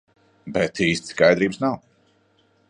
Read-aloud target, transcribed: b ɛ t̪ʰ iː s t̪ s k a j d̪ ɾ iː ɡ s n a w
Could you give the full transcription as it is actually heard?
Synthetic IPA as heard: b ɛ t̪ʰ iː s t̪ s k a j d̪ ɾ iː b s n a w